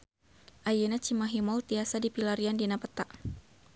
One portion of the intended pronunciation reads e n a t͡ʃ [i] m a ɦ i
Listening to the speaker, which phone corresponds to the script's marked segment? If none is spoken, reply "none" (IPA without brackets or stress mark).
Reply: i